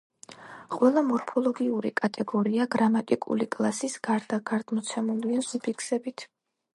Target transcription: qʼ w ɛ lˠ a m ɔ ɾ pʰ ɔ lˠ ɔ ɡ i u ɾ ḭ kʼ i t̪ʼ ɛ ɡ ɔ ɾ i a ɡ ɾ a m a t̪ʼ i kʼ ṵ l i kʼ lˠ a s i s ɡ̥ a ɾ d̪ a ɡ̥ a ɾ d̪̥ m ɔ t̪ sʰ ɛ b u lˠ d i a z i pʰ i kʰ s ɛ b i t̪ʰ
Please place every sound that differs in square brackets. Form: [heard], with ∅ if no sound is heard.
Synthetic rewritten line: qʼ w ɛ lˠ a m ɔ ɾ pʰ ɔ lˠ ɔ ɡ i u ɾ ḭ kʼ [a] t̪ʼ ɛ ɡ ɔ ɾ i a ɡ ɾ a m a t̪ʼ i kʼ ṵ l i kʼ lˠ a s i s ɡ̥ a ɾ d̪ a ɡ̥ a ɾ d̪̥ m ɔ t̪ sʰ ɛ [m] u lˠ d i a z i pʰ i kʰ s ɛ b i t̪ʰ